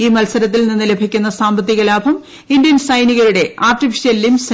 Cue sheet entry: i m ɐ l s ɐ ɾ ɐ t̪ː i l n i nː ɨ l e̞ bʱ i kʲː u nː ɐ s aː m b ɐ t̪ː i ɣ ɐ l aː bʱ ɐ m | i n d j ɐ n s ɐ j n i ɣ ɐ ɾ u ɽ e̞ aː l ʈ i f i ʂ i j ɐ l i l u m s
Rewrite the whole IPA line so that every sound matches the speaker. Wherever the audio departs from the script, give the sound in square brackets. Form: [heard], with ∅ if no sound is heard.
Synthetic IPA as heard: [iː] m ɐ l s ɐ ɾ ɐ t̪ː i l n i nː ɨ l e̞ bʱ i kʲː u nː ɐ s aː m b ɐ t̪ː i ɣ ɐ l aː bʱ ɐ m | i n d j ɐ n s ɐ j n i ɣ ɐ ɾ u ɽ e̞ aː [r] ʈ i f i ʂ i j ɐ l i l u m s